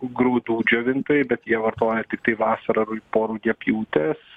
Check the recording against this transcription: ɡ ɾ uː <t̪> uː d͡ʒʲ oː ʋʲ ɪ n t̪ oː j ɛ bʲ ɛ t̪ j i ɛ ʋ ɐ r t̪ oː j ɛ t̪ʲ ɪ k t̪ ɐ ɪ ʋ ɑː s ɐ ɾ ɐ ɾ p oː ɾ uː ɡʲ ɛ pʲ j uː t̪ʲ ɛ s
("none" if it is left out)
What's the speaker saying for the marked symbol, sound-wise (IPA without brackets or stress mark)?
d̪